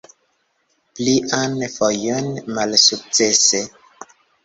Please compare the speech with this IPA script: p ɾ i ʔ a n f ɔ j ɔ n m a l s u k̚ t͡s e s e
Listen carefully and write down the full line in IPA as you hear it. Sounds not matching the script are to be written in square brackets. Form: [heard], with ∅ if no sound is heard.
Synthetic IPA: p [l] i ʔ a n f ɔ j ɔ n m a l s u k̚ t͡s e s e